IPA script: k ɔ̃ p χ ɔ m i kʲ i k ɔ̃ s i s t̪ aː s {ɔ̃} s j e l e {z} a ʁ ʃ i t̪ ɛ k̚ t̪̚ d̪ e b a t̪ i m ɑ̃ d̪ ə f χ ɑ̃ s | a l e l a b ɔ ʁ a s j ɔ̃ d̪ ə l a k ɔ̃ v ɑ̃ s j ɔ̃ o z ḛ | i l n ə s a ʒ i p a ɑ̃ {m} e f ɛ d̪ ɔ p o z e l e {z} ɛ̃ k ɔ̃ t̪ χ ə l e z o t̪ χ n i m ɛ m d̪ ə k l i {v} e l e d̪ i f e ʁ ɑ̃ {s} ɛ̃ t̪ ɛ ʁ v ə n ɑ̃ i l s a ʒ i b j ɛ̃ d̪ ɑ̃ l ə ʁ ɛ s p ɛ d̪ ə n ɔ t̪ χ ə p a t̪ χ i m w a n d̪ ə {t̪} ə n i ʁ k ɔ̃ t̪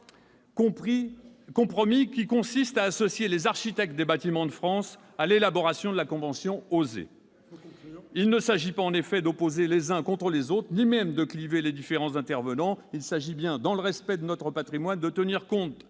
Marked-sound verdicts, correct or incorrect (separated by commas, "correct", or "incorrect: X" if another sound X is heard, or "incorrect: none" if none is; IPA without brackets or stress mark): incorrect: ɔ, correct, incorrect: n, correct, correct, incorrect: z, correct